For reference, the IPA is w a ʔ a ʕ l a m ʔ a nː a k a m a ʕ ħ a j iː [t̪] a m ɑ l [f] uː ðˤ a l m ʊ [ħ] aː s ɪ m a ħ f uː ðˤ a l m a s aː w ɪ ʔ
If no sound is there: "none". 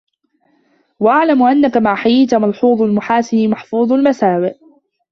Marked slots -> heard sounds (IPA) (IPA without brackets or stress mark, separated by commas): t̪, ħ, ħ